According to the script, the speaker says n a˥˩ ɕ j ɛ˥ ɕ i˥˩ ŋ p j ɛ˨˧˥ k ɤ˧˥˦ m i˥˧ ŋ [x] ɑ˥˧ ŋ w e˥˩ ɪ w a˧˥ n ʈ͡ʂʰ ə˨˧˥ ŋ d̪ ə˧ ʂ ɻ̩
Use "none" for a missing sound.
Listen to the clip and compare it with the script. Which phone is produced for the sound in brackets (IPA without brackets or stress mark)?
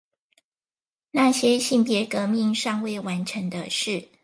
ʂ